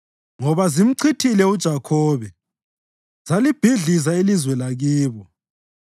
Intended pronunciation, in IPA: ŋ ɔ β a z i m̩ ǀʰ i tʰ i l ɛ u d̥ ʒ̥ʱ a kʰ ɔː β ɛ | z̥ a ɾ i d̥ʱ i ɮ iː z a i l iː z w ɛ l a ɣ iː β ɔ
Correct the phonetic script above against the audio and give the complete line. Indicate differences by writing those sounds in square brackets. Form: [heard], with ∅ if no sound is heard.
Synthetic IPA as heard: ŋ ɔ β a z i m̩ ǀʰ i tʰ i l ɛ u d̥ ʒ̥ʱ a kʰ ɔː β ɛ | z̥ a [l] i [b̥ʱ] i ɮ [i] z a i l [i] z w ɛ l a ɣ iː β ɔ